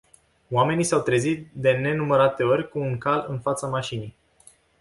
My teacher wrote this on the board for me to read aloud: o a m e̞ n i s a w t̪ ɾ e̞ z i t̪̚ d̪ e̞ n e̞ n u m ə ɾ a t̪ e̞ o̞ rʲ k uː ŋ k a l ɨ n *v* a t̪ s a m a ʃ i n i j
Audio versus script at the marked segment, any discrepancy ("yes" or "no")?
yes